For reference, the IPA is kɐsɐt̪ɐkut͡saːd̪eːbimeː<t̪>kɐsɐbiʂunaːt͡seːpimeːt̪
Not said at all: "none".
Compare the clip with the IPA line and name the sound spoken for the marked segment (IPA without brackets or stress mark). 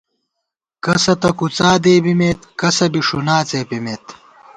t̪